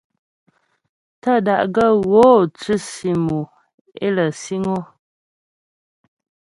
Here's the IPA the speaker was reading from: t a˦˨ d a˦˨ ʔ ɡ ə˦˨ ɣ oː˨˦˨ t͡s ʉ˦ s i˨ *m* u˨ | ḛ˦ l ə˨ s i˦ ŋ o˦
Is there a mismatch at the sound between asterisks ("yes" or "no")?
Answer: no